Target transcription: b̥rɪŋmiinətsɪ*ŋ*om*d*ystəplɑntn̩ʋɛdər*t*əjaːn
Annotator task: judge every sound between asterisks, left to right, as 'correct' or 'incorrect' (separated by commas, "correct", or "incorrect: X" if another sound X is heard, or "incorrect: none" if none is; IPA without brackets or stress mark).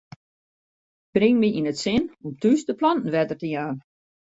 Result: incorrect: n, incorrect: t, correct